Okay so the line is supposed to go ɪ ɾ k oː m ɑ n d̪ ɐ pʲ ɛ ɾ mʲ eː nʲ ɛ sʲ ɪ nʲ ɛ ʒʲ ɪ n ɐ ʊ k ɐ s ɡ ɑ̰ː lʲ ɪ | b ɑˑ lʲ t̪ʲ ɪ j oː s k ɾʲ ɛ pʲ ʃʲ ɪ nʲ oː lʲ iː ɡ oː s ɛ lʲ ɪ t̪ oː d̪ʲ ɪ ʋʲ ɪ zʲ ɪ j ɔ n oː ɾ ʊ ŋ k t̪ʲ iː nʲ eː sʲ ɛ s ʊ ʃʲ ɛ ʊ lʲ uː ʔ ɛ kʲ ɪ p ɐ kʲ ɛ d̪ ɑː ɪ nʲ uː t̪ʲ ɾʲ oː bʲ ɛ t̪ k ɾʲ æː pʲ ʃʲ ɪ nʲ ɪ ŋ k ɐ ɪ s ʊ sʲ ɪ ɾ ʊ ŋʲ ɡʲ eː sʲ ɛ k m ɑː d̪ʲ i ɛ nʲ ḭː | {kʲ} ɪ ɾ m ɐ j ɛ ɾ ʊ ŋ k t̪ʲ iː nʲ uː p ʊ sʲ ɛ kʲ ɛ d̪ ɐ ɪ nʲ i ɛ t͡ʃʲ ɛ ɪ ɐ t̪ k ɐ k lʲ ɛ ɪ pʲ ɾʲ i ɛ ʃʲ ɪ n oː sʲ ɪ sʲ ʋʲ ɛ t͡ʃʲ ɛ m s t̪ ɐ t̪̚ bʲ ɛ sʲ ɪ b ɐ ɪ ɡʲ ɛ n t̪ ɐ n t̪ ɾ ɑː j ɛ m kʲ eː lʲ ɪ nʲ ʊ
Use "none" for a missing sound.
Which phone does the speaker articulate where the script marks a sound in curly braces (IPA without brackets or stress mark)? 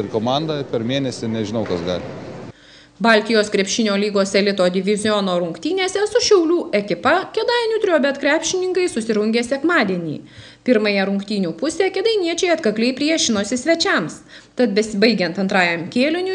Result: pʲ